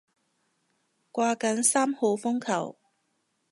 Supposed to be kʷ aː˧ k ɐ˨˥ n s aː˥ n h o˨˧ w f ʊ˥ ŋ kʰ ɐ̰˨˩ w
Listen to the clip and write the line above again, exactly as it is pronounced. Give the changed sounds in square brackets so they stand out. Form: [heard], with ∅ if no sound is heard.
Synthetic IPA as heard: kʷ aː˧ k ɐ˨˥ n s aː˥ [m] h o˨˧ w f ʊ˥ ŋ kʰ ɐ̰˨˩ w